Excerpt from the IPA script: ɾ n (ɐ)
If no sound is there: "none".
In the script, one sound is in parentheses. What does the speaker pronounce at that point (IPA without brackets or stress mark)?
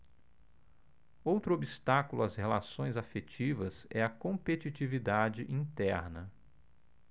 ɐ